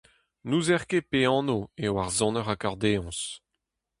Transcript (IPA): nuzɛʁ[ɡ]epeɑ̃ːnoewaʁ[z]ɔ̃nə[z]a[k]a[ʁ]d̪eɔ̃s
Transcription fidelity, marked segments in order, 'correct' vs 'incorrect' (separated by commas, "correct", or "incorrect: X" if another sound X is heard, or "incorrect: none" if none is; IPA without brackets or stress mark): incorrect: k, correct, incorrect: ʁ, correct, correct